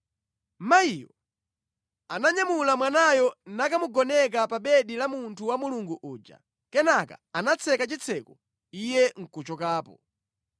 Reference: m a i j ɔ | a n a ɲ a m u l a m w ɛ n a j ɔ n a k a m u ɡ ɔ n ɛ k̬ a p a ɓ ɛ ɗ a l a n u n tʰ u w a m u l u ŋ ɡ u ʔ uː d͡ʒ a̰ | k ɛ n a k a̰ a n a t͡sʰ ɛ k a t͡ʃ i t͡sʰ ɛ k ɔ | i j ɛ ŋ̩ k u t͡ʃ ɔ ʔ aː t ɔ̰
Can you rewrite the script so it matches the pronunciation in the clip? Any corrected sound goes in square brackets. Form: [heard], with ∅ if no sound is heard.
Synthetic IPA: m a i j ɔ | a n a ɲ a m u l a m w [a] n a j ɔ n a k a m u ɡ ɔ n ɛ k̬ a p a ɓ ɛ ɗ [i] l a [m] u n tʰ u w a m u l u ŋ ɡ u ʔ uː d͡ʒ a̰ | k ɛ n a k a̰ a n a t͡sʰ ɛ k a t͡ʃ i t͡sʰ ɛ k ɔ | i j ɛ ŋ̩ k u t͡ʃ ɔ [k] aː [p] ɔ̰